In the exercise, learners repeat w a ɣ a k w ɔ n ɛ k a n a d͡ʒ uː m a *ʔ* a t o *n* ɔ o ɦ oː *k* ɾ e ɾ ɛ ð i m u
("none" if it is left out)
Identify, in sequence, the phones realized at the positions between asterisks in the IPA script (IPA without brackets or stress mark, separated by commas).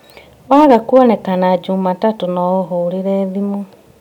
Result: t, n, none